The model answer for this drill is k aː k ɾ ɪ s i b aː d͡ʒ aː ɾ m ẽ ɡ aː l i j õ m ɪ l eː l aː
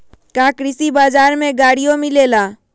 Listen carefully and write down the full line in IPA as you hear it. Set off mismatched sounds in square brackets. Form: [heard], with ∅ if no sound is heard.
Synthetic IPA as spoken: k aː k ɾ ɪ s i b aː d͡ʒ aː ɾ m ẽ ɡ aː [ɽ] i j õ m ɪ l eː l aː